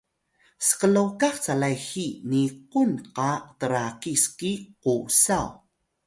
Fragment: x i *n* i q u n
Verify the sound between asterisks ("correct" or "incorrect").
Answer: correct